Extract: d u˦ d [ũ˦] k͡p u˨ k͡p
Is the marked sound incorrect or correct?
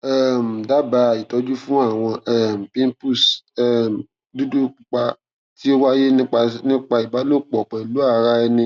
incorrect